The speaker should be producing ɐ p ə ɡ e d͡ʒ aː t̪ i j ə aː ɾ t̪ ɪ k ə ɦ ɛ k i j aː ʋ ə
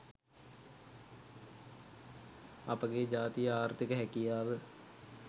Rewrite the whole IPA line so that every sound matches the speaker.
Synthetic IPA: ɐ p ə ɡ e d͡ʒ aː t̪ i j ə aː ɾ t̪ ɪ k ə ɦ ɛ k i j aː ʋ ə